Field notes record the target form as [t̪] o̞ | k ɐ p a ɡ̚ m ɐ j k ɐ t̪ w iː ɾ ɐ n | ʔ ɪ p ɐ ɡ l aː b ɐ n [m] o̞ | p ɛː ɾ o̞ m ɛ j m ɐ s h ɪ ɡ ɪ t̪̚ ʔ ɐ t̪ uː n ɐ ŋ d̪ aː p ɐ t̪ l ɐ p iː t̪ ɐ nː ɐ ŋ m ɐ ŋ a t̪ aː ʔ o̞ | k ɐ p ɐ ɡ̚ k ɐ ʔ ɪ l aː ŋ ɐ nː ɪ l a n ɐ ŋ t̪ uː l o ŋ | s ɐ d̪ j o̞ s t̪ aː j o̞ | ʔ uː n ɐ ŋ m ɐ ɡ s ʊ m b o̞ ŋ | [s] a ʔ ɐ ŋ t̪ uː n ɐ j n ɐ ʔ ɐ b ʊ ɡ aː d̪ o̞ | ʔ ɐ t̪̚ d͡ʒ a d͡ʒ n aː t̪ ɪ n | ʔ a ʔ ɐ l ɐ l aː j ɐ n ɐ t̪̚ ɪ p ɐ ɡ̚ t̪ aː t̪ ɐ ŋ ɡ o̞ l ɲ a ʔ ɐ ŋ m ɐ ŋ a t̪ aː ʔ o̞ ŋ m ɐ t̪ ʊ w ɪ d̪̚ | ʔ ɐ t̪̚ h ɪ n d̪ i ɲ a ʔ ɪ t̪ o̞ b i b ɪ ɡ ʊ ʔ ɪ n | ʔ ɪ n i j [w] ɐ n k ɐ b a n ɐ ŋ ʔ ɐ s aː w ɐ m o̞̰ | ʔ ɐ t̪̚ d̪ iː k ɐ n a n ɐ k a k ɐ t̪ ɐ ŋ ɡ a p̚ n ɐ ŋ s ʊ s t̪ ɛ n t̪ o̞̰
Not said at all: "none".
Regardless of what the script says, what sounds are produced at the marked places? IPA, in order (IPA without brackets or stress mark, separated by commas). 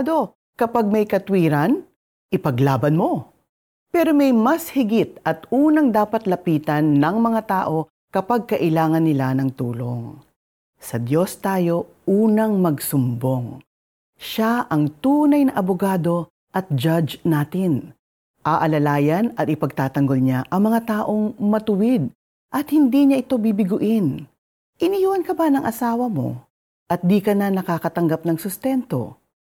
d̪, m, ʃ, w